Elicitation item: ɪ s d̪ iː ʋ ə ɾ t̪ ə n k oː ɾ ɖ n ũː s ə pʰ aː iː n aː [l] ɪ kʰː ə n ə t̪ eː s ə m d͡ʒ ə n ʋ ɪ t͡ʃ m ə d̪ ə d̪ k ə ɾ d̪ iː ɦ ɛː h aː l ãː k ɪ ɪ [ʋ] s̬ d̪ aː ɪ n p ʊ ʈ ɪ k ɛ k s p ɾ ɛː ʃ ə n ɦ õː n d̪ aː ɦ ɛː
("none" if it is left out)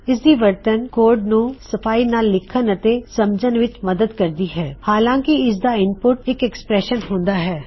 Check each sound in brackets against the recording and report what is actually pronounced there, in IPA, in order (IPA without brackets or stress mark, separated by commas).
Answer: lː, none